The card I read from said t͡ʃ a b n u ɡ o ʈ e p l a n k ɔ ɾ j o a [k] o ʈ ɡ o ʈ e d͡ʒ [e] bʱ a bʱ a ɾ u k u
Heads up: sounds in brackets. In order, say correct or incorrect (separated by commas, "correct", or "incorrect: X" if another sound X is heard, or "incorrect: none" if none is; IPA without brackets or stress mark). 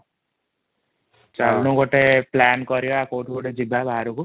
correct, incorrect: i